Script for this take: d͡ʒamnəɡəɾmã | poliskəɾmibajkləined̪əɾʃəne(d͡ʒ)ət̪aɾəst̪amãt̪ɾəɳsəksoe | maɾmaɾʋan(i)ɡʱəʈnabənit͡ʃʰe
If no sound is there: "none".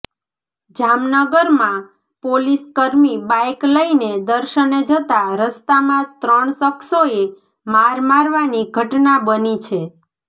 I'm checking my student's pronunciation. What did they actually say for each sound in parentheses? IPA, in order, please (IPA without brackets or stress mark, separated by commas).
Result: d͡ʒ, i